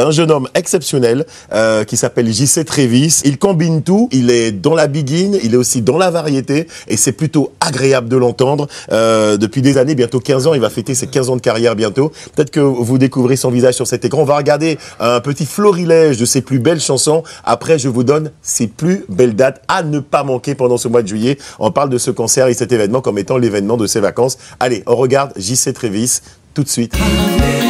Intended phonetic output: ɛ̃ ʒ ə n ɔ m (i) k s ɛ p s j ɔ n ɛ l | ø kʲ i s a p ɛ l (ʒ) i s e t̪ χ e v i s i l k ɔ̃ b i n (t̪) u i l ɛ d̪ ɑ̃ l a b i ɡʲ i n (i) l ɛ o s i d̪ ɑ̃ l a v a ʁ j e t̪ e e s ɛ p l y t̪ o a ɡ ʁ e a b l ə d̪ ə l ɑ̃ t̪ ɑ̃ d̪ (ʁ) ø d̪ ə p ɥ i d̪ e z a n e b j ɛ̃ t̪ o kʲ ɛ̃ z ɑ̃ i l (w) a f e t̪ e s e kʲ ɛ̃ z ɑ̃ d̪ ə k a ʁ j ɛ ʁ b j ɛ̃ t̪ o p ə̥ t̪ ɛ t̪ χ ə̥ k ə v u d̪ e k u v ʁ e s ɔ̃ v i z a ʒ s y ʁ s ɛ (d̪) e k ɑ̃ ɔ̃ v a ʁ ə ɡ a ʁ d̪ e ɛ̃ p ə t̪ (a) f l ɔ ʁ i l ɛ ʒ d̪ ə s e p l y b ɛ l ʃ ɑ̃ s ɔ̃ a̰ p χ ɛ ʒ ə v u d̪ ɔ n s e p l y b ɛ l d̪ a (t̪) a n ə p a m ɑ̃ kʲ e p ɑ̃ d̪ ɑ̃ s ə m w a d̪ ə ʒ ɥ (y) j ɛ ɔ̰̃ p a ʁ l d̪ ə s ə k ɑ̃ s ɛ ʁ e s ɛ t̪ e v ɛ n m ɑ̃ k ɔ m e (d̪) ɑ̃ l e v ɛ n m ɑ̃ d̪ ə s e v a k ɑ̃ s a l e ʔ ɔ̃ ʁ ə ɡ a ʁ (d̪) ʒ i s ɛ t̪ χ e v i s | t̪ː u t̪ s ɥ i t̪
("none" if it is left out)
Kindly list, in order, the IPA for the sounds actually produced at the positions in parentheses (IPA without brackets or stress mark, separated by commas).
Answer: ɛ, ʒ, t̪, i, ʁ, v, t̪, i, t̪, i, t̪, d̪